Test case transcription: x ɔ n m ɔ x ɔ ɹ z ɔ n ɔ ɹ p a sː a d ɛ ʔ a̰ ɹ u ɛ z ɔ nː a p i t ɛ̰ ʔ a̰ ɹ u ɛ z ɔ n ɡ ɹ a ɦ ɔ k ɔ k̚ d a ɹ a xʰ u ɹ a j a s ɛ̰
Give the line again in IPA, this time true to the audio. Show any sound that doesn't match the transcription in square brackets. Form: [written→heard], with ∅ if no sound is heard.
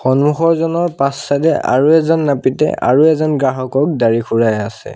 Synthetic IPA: x ɔ n m [ɔ→u] x ɔ ɹ z ɔ n ɔ ɹ p a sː a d ɛ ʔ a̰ ɹ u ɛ z ɔ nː a p i t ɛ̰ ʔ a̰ ɹ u ɛ z ɔ n ɡ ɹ a ɦ ɔ k ɔ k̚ d a ɹ [a→i] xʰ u ɹ a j a s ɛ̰